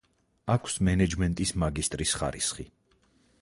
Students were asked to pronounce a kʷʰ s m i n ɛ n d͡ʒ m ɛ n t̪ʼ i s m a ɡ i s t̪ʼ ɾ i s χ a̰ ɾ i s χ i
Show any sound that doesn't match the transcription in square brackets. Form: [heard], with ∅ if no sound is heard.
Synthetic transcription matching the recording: a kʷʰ s m [ɛ] n ɛ [∅] d͡ʒ m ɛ n t̪ʼ i s m a ɡ i s t̪ʼ ɾ i s χ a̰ ɾ i s χ i

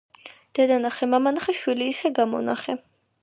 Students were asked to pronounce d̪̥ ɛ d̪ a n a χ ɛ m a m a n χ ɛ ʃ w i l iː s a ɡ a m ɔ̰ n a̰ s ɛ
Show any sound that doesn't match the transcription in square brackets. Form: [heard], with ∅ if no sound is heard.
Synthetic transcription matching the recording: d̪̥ ɛ d̪ a n a χ ɛ m a m a n χ ɛ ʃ w i l iː s [ɛ] ɡ a m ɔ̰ n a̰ [χ] ɛ

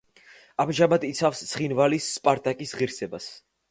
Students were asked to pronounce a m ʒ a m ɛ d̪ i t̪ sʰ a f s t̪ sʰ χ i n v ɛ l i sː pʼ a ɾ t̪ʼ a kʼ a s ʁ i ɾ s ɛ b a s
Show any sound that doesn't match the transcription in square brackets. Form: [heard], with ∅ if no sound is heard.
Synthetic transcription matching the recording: a m ʒ a m [a] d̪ i t̪ sʰ a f s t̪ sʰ χ i n v [a] l i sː pʼ a ɾ t̪ʼ a kʼ [i] s ʁ i ɾ s ɛ b a s

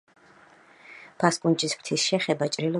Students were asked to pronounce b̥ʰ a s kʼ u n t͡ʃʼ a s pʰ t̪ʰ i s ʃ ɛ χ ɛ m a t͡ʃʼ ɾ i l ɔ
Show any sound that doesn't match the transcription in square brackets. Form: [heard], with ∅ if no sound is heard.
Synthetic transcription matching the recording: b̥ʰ a s kʼ u n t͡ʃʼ [i] s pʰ t̪ʰ i s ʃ ɛ χ ɛ [b] a t͡ʃʼ ɾ i l ɔ

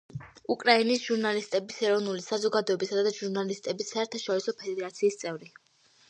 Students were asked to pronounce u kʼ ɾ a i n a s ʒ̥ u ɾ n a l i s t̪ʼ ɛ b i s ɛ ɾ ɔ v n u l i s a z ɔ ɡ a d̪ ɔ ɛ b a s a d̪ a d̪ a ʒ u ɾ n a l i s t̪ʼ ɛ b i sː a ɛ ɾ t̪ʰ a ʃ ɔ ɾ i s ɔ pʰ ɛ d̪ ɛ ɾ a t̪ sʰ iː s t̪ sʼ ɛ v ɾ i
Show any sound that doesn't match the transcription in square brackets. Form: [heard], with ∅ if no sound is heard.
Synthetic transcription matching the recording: u kʼ ɾ a i n [i] s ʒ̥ u ɾ n a l i s t̪ʼ ɛ b i s ɛ ɾ ɔ v n u l i s a z ɔ ɡ a d̪ ɔ ɛ b [i] s a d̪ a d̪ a ʒ u ɾ n a l i s t̪ʼ ɛ b i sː a ɛ ɾ t̪ʰ a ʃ ɔ ɾ i s ɔ pʰ ɛ d̪ ɛ ɾ a t̪ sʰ iː s t̪ sʼ ɛ v ɾ i

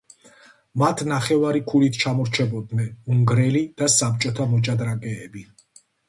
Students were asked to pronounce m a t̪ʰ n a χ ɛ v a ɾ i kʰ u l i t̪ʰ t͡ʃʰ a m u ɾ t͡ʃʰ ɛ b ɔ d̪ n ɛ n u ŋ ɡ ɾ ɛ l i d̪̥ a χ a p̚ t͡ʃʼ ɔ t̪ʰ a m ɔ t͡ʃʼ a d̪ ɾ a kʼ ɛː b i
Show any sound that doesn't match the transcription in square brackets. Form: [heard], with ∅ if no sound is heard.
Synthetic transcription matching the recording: m a t̪ʰ n a χ ɛ v a ɾ i kʰ u l i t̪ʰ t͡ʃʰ a m [ɔ] ɾ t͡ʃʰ ɛ b ɔ d̪ n ɛ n u ŋ ɡ ɾ ɛ l i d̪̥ a [s] a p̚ t͡ʃʼ ɔ t̪ʰ a m ɔ t͡ʃʼ a d̪ ɾ a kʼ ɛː b i

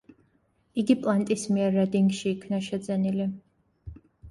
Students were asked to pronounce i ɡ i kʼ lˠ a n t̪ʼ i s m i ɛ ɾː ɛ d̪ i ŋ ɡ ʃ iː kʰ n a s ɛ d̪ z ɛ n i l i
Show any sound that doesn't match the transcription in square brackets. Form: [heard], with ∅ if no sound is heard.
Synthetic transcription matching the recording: i ɡ i [pʼ] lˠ a n t̪ʼ i s m i ɛ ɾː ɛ d̪ i ŋ ɡ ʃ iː kʰ n a [ʃ] ɛ d̪ z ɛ n i l i

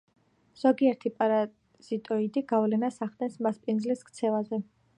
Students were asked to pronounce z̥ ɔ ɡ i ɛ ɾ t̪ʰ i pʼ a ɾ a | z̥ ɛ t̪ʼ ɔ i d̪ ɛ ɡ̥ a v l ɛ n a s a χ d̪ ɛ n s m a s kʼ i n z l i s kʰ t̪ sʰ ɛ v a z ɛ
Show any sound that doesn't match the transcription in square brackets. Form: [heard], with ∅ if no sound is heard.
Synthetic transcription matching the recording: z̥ ɔ ɡ i ɛ ɾ t̪ʰ i pʼ a ɾ a | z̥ [i] t̪ʼ ɔ i d̪ [i] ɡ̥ a v l ɛ n a s a χ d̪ ɛ n s m a s [pʼ] i n z l i s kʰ t̪ sʰ ɛ v a z ɛ

